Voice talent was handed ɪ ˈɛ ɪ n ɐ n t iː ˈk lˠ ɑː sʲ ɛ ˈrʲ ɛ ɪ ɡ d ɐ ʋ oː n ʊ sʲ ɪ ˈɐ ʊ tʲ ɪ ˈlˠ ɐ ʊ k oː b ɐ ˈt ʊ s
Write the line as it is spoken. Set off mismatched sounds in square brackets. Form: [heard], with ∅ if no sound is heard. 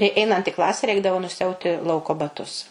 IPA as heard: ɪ ˈɛ ɪ n ɐ n t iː ˈk lˠ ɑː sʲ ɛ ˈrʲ ɛ ɪ ɡ d ɐ ʋ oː n ʊ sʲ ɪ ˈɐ ʊ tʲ ɪ ˈlˠ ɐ ʊ k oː b ɐ ˈt ʊ s